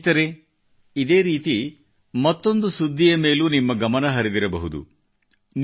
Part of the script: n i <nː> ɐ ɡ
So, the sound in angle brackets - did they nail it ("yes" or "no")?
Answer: no